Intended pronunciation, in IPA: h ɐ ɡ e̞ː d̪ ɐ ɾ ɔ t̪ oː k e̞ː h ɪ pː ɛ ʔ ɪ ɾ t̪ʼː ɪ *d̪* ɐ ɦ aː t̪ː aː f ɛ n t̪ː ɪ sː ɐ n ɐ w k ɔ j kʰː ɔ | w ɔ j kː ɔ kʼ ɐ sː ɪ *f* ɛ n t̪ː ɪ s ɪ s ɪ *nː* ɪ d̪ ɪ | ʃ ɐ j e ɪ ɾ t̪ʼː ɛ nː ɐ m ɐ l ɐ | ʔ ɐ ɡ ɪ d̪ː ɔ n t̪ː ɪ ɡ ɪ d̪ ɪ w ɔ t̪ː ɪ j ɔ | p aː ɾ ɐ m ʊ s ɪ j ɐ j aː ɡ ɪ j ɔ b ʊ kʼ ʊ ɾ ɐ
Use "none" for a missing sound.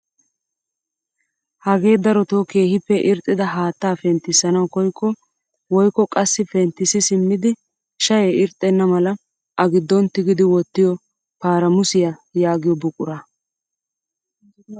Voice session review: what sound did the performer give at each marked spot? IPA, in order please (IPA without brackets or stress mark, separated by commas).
d̪, f, mː